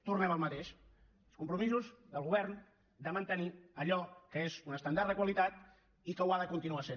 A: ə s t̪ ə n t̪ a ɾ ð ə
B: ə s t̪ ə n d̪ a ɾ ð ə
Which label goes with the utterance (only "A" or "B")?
B